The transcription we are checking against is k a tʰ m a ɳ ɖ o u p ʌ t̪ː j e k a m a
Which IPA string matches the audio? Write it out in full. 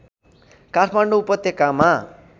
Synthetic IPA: k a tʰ m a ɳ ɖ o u p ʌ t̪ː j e k a m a